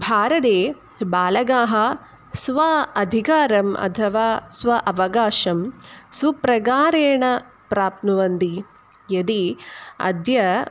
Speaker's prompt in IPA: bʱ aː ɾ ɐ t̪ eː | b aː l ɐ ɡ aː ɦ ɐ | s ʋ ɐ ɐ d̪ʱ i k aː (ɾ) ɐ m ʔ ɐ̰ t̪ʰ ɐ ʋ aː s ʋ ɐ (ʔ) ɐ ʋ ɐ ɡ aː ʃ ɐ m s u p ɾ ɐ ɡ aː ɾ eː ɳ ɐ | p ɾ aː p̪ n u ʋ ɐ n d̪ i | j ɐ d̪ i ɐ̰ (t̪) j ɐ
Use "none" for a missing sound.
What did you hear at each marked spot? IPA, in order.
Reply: ɾ, ʔ, d̪

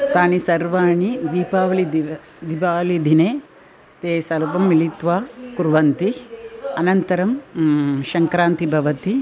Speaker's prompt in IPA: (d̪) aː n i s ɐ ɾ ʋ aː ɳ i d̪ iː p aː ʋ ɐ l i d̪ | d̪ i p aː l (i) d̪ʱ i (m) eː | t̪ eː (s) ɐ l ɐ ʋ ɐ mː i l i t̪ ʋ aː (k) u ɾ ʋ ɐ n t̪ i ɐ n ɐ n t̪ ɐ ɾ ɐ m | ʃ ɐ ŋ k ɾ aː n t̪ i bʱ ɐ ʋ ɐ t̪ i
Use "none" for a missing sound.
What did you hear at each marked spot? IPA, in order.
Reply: t̪, i, n, s, k

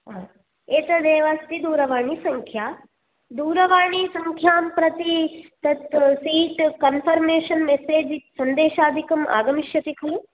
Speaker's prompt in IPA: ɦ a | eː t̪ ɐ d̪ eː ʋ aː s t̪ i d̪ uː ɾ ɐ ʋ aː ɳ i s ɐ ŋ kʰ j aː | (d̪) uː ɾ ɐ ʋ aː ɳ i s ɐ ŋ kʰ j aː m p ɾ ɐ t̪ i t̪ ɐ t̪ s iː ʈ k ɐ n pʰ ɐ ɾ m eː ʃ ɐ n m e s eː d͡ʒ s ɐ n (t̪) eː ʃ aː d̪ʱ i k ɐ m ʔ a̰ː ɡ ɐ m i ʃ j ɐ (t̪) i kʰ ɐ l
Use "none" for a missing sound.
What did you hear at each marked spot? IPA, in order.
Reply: d̪, d̪, t̪

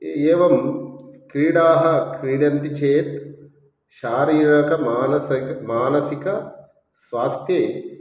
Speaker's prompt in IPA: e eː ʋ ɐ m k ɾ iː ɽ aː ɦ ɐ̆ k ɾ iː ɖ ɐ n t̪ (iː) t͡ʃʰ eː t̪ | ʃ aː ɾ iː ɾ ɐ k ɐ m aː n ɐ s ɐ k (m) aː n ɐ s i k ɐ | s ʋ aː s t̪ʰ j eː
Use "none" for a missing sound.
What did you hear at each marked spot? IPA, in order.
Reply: i, m

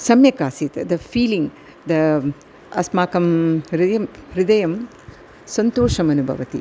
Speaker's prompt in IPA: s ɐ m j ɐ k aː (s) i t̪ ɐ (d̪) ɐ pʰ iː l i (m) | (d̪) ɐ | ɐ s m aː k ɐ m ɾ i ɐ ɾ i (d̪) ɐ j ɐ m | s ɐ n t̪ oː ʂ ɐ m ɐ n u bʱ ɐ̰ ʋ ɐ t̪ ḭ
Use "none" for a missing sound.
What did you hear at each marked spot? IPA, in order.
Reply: s, d̪, ŋ, d̪, d̪

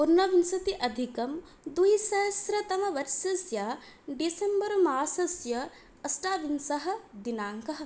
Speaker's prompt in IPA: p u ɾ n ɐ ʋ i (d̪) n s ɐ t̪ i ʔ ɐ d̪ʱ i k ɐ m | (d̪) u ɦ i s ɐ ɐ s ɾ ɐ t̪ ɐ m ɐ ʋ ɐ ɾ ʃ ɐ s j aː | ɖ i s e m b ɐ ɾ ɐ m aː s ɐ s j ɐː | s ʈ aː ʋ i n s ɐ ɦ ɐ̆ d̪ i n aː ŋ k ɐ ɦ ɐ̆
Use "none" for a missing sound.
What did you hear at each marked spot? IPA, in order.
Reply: none, d̪

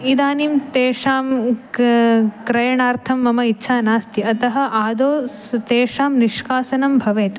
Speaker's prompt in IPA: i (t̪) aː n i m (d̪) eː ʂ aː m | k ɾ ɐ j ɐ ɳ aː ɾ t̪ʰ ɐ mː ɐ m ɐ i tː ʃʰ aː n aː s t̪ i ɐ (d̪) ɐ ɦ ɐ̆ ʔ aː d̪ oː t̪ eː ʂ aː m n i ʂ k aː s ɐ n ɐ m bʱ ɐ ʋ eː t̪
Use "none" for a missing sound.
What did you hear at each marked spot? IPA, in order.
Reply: d̪, t̪, t̪

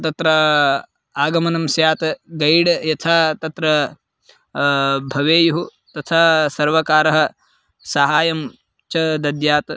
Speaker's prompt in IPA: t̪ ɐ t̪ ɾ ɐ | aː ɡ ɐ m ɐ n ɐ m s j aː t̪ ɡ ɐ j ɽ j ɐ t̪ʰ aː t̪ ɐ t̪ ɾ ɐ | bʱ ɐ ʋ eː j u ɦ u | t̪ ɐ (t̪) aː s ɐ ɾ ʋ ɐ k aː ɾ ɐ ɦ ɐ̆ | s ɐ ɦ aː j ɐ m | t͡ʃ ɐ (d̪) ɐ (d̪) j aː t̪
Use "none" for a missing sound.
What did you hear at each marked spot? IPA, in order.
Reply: t̪ʰ, d̪, d̪

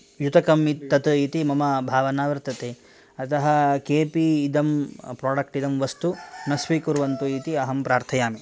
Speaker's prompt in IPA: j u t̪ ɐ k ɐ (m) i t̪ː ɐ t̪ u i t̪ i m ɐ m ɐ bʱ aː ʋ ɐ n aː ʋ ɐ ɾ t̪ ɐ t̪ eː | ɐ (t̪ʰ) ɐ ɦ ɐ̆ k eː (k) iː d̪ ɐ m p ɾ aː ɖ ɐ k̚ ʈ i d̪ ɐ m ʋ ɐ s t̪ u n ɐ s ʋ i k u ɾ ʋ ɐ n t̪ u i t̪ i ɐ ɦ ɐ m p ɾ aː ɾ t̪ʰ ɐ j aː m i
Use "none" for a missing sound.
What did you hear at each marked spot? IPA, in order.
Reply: m, t̪, p

